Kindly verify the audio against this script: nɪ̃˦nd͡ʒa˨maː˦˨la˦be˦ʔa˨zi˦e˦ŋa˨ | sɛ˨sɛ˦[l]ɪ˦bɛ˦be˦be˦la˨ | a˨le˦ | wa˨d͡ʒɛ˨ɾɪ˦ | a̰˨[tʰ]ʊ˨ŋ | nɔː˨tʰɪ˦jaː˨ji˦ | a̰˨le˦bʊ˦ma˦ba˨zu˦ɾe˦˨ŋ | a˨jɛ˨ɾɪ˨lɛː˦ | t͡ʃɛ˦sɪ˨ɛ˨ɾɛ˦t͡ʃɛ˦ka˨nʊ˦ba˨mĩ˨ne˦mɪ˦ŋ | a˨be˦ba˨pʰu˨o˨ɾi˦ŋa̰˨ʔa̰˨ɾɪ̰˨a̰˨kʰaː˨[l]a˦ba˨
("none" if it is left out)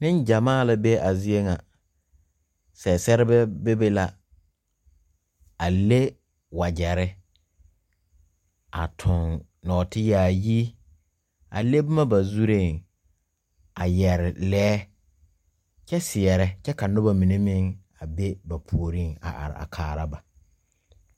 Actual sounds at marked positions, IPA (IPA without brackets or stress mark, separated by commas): ɾ, tʰ, ɾ